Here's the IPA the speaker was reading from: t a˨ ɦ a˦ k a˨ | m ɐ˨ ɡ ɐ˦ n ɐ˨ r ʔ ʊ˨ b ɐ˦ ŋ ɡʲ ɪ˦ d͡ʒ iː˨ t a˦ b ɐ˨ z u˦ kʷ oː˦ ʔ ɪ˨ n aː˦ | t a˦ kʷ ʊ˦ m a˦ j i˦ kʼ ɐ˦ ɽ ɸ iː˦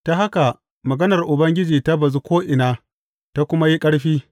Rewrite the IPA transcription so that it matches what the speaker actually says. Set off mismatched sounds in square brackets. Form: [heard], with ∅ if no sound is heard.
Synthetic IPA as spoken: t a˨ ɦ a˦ k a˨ | m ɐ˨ ɡ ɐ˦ n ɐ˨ r ʔ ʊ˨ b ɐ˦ ŋ ɡʲ ɪ˦ d͡ʒ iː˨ t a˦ b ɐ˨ z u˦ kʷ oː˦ ʔ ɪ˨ n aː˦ | t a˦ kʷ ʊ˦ m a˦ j i˦ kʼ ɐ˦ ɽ ɸ iː˦